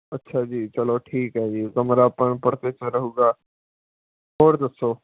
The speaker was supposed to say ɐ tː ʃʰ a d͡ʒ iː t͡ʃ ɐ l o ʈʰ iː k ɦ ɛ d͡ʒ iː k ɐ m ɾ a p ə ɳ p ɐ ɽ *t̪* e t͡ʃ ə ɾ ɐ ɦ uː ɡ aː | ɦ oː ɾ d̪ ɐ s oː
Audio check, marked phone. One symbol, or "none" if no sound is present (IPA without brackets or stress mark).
t̪